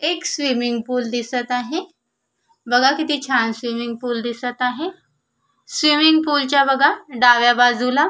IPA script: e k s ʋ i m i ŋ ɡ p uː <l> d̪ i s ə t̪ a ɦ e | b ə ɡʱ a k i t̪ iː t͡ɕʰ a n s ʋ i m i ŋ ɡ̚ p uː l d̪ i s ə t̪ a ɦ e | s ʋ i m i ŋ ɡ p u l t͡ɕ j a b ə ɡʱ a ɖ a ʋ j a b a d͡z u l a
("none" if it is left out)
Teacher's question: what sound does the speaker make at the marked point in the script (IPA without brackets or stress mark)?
l